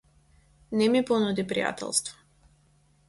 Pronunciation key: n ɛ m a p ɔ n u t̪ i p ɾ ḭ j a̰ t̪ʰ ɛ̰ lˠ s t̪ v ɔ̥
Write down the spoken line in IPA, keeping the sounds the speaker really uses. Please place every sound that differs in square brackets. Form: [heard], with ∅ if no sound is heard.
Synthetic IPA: n ɛ m [i] p ɔ n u [d̪] i p ɾ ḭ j a̰ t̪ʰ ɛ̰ lˠ s t̪ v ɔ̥